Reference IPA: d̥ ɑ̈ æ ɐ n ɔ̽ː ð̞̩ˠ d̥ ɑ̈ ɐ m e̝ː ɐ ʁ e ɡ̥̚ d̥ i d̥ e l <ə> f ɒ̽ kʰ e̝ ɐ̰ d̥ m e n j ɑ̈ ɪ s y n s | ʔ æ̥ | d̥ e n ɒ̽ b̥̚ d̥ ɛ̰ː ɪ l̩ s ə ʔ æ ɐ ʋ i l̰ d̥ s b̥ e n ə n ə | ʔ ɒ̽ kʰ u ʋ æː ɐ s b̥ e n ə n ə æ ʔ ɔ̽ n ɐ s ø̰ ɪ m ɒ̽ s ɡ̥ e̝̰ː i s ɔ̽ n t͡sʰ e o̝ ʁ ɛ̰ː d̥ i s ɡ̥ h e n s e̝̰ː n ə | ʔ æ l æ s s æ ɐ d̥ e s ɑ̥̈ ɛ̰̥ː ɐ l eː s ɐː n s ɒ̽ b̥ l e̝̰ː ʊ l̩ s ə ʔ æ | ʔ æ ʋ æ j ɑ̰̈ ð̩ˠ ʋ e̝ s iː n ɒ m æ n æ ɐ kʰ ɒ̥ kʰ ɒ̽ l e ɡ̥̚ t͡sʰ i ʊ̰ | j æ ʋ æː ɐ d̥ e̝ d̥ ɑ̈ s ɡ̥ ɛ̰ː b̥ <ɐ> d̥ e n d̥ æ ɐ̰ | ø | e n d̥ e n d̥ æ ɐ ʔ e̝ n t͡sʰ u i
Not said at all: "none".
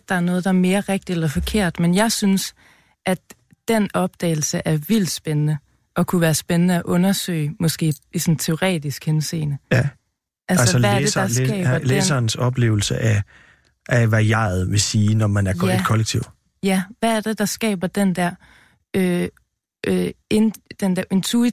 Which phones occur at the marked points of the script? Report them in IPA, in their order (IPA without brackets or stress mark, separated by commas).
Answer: ɐ, ɐ